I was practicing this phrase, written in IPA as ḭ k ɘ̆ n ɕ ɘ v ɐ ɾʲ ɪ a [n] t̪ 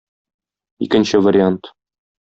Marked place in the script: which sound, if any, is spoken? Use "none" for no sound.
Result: n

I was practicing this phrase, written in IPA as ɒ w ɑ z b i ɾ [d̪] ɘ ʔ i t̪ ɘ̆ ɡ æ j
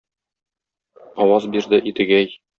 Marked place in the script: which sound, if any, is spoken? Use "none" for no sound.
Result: d̪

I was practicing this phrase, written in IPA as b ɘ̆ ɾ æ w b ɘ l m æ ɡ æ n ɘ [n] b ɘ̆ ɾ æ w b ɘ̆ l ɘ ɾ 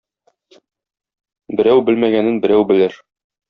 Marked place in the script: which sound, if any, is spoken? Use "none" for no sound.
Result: n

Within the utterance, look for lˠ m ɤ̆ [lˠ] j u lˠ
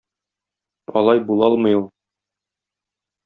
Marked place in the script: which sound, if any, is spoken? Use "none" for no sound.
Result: none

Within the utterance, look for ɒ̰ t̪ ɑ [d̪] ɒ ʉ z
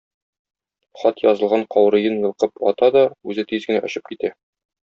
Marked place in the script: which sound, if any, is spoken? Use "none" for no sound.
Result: d̪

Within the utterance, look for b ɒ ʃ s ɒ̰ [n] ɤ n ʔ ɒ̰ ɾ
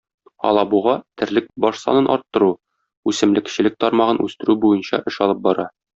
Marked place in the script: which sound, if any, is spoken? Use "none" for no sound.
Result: n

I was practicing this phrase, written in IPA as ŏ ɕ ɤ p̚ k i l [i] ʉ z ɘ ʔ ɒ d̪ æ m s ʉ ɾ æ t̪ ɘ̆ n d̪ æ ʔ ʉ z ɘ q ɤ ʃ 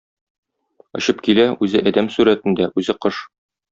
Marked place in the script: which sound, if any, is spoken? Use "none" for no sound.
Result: æ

